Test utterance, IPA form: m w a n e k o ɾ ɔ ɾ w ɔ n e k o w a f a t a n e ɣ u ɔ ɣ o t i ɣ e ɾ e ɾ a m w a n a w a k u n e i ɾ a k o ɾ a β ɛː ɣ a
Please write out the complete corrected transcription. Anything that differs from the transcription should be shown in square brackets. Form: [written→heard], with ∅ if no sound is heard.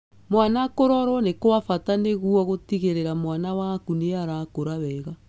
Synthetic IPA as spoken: m w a n [e→a] k o ɾ ɔ ɾ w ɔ n e k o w a f a t a n e ɣ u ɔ ɣ o t i ɣ e ɾ e ɾ a m w a n a w a k u n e [i→a] ɾ a k o ɾ a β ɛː ɣ a